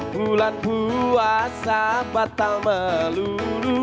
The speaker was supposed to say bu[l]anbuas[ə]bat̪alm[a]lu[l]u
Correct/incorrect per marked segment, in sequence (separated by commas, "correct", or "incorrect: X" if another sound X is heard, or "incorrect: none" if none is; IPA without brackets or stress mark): correct, incorrect: a, incorrect: ə, correct